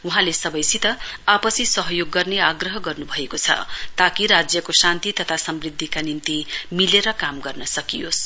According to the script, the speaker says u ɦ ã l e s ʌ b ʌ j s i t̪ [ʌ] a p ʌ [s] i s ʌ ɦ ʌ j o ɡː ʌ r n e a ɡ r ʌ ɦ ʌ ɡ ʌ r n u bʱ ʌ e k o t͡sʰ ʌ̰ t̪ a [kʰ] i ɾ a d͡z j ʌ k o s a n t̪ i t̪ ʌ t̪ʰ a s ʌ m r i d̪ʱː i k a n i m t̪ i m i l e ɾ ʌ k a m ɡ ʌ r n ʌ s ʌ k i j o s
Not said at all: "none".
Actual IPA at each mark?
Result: ʌ, s, k

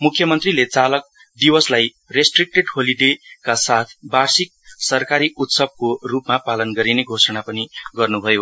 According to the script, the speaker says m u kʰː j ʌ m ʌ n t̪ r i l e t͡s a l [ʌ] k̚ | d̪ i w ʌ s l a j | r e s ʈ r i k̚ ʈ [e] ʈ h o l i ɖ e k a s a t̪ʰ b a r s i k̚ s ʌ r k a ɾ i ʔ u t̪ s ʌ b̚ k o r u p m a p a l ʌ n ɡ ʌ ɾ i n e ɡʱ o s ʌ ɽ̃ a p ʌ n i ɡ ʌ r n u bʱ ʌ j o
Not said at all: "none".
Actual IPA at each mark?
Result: ʌ, e

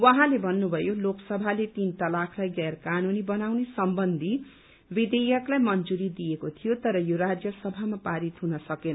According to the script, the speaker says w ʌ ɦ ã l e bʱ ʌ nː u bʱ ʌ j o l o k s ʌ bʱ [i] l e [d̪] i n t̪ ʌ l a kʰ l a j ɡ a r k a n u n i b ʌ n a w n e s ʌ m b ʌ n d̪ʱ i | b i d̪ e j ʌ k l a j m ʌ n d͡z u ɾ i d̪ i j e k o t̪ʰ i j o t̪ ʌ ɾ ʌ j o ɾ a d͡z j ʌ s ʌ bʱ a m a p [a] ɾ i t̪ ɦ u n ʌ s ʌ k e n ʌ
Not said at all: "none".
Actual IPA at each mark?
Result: a, t̪, a

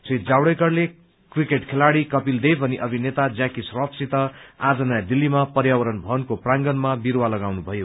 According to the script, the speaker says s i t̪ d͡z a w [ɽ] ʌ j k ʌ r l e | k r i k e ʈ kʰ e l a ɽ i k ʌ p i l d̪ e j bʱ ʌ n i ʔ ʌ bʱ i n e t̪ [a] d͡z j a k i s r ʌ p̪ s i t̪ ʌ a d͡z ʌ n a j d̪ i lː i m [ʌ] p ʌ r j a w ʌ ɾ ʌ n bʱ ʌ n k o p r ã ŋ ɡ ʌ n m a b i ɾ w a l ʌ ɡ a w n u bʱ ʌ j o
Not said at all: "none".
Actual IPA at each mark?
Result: ɽ, a, a

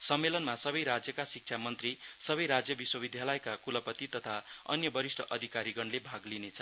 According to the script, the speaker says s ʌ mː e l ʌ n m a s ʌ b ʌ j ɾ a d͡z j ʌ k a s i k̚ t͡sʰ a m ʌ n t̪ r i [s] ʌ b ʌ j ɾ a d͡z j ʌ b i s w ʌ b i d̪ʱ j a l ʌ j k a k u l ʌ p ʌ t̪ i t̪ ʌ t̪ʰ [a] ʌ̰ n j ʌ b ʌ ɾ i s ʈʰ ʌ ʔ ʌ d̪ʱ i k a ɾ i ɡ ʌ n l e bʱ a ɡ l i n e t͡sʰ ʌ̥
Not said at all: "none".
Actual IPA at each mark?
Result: s, a

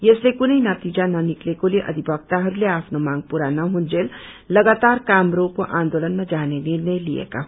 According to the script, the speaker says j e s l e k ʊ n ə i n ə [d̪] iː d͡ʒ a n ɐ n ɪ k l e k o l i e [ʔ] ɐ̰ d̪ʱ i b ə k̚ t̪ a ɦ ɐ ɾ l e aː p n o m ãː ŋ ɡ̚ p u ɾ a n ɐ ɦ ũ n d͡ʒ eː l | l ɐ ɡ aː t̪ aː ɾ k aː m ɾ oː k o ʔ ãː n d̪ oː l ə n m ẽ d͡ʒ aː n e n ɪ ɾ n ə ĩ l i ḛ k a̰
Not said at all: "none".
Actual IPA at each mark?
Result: t̪, ʔ

